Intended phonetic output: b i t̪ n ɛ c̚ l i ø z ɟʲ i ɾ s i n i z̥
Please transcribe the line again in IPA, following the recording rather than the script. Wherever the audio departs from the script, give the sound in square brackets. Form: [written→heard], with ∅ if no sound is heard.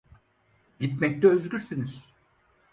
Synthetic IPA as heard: [b→ɟ] i t̪ [n→m] ɛ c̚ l [i→ɛ] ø z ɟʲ [i→y] ɾ s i n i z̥